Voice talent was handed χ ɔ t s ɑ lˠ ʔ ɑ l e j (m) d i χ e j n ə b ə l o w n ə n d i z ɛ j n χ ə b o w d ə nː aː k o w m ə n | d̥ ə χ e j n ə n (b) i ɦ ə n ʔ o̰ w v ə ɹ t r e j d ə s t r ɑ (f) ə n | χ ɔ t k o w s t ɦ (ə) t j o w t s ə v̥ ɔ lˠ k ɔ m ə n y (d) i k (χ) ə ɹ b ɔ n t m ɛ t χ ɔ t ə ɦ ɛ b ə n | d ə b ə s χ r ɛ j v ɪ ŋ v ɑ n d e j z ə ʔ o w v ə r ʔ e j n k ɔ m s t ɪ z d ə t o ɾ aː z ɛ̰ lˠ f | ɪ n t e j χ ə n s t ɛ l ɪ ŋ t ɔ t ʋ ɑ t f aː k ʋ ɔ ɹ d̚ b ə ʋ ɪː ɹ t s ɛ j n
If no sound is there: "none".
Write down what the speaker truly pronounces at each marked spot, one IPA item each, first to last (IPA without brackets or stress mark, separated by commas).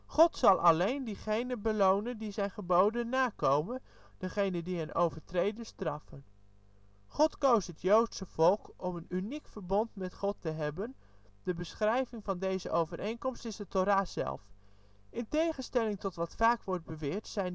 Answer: n, d, f, ə, n, f